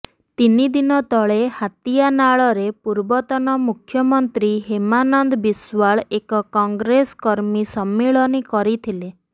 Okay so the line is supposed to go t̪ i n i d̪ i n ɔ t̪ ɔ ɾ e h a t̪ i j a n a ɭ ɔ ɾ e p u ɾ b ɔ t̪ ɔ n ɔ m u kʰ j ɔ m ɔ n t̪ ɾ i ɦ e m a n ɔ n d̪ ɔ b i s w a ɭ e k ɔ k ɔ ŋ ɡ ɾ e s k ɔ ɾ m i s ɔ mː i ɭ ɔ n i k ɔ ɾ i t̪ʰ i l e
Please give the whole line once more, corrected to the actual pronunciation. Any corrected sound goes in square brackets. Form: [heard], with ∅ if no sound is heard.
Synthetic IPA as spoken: t̪ i n i d̪ i n ɔ t̪ ɔ [ɭ] e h a t̪ i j a n a ɭ ɔ ɾ e p u ɾ b ɔ t̪ ɔ n ɔ m u kʰ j ɔ m ɔ n t̪ ɾ i ɦ e m a n ɔ n d̪ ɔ b i s w a ɭ e k ɔ k ɔ ŋ ɡ ɾ e s k ɔ ɾ m i s ɔ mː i ɭ ɔ n i k ɔ ɾ i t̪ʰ i l e